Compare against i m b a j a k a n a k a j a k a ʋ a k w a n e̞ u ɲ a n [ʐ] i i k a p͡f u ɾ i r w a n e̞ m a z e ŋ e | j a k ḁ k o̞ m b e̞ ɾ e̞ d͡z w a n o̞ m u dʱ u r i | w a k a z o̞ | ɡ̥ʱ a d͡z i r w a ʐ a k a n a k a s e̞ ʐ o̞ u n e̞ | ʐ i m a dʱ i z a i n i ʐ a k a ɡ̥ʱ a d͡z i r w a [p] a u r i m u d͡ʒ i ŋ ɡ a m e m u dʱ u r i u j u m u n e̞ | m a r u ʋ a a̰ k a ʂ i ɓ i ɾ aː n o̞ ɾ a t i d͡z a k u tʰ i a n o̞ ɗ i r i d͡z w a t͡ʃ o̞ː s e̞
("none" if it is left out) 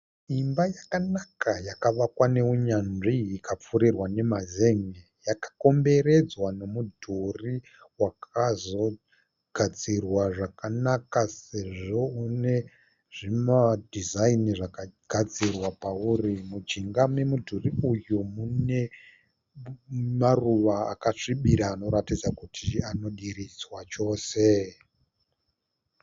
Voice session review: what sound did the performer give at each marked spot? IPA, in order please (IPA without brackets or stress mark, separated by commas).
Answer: ʐ, p